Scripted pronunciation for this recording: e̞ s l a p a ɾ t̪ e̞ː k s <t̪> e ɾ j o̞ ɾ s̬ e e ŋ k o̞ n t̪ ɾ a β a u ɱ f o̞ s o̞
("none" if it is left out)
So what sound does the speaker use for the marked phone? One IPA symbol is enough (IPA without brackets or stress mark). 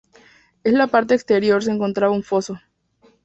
t̪